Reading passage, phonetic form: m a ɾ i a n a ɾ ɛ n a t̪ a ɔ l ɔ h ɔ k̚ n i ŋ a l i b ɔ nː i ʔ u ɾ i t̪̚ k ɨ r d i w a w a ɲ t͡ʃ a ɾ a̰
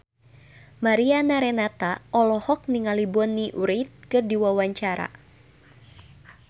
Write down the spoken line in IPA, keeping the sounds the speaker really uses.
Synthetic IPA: m a ɾ i a n a ɾ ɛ n a t̪ a ɔ l ɔ h ɔ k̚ n i ŋ a l i b ɔ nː i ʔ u ɾ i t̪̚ k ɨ r d i w a w a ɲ t͡ʃ a ɾ a̰